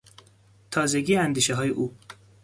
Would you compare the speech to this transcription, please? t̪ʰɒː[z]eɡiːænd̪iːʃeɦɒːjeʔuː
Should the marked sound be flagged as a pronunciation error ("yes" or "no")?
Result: no